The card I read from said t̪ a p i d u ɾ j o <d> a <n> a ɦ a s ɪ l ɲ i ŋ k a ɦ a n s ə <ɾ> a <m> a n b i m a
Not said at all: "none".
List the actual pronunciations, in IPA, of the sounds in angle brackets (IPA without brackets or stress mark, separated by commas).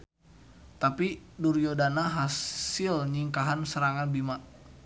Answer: d, n, ɾ, ŋ